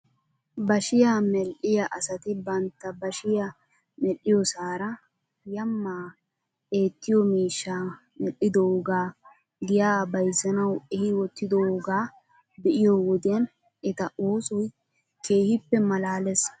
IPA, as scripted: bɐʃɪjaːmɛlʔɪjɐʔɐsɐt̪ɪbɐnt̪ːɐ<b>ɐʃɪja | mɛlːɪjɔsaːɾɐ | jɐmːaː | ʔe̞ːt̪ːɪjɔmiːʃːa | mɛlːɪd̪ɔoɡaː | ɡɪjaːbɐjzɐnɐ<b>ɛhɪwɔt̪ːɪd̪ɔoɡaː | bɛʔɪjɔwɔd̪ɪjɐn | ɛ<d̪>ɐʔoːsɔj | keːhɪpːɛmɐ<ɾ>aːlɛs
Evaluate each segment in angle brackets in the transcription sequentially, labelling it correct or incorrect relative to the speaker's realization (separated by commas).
correct, incorrect, incorrect, incorrect